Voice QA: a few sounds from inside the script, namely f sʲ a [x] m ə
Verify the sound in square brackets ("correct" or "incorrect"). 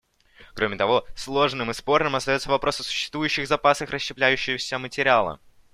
incorrect